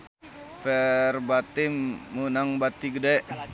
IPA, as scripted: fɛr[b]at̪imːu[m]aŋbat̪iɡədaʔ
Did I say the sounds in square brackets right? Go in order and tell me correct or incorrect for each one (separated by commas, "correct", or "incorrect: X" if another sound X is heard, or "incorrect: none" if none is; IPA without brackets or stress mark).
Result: correct, incorrect: n